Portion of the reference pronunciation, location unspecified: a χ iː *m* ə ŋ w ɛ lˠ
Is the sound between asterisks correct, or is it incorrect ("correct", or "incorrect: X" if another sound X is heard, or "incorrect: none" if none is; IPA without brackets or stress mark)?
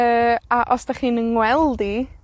incorrect: n